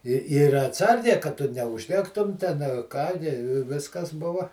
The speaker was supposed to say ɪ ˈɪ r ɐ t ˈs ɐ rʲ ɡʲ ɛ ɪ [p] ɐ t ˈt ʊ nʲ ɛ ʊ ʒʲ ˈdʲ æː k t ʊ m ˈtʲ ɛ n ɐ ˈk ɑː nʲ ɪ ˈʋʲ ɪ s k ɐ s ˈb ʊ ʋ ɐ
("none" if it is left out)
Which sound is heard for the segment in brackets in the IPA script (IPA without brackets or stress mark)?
k